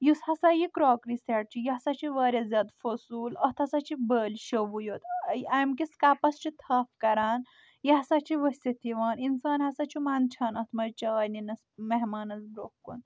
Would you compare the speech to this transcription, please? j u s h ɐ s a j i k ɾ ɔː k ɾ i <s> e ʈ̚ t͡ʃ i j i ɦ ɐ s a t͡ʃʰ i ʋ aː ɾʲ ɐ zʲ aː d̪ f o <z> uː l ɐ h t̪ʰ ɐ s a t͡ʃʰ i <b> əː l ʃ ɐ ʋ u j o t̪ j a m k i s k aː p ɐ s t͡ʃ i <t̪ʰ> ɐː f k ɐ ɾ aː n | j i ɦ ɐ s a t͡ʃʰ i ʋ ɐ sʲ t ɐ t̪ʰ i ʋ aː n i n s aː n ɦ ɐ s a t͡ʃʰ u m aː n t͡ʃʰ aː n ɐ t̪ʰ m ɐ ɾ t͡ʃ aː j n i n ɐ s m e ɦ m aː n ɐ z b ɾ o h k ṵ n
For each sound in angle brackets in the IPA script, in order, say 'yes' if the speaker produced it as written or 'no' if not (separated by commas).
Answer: yes, no, yes, yes